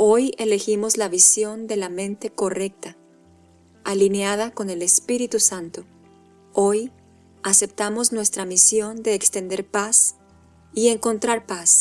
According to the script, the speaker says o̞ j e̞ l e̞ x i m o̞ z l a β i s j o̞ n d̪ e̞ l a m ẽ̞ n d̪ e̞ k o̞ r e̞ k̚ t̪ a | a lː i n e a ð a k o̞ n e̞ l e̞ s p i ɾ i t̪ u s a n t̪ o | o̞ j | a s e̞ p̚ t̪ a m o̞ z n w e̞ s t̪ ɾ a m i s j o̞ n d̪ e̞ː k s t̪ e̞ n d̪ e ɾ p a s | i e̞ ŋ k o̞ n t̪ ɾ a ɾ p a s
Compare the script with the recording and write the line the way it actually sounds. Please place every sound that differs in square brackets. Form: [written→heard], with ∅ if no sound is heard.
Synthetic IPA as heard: o̞ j e̞ l e̞ x i m o̞ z l a β i s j o̞ n d̪ e̞ l a m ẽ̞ n [d̪→t̪] e̞ k o̞ r e̞ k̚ t̪ a | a [lː→l] i n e a ð a k o̞ n e̞ l e̞ s p i ɾ i t̪ u s a n t̪ o | o̞ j | a s e̞ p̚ t̪ a m o̞ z n w e̞ s t̪ ɾ a m i s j o̞ n d̪ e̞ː k s t̪ e̞ n d̪ e ɾ p a s | i e̞ ŋ k o̞ n t̪ ɾ a ɾ p a s